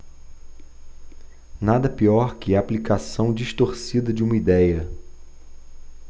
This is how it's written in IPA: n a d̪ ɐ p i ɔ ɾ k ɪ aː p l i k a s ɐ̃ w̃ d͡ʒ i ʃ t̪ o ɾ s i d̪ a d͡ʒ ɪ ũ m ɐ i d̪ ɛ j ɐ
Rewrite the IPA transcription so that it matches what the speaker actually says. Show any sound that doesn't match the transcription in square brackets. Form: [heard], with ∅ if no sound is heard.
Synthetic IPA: n a d̪ ɐ p i ɔ ɾ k ɪ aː p l i k a s ɐ̃ w̃ d͡ʒ i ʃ t̪ o ɾ s i d̪ [ɐ] d͡ʒ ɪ ũ m ɐ i d̪ ɛ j ɐ